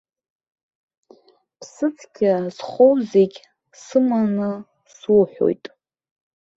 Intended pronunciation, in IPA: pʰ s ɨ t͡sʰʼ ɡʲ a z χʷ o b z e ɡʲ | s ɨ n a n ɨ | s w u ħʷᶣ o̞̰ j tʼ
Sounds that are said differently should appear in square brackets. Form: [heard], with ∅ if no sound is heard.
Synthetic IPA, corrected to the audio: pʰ s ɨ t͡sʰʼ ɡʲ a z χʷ o [w] z e ɡʲ | s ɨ [m] a n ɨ | s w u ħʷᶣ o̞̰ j tʼ

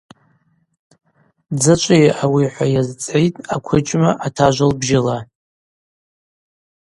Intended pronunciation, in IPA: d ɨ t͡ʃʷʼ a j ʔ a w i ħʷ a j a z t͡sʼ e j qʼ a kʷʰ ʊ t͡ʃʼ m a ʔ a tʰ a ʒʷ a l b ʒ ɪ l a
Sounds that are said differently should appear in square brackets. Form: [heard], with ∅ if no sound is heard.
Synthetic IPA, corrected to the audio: [d͡z] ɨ t͡ʃʷʼ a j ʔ a w i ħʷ a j a z t͡sʼ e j [tʼ] a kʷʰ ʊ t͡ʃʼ m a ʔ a tʰ a ʒʷ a l b ʒ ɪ l a

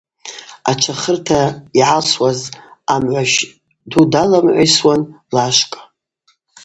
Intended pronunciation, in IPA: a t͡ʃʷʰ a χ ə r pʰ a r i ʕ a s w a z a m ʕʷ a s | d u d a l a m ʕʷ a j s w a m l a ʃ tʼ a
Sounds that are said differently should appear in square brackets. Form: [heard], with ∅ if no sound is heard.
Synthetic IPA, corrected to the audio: a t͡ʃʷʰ a χ ə r [tʰ] a [∅] i ʕ a s w a z a m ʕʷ a [ʃ] | d u d a l a m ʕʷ a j s w a [n] l a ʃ [kʼ] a

